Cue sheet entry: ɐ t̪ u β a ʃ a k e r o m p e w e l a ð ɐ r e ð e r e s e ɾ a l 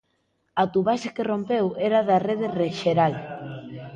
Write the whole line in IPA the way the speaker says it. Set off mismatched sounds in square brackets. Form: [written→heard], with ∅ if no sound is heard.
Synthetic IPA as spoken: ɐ t̪ u β a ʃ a k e r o m p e w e [l→ɾ] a ð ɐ r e ð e r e [s→ʃ] e ɾ a l